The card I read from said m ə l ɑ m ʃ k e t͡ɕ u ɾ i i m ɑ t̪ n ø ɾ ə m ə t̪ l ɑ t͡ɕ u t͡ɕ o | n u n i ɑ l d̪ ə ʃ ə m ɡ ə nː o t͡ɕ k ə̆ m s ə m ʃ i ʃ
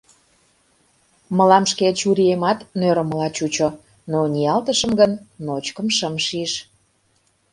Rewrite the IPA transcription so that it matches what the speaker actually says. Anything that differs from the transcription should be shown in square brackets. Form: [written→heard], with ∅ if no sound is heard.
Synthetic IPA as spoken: m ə l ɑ m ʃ k e t͡ɕ u ɾ i [i→e] m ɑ t̪ n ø ɾ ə m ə [t̪→∅] l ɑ t͡ɕ u t͡ɕ o | n [u→o] n i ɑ l [d̪→t̪] ə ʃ ə m ɡ ə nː o t͡ɕ k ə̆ m [s→ʃ] ə m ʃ i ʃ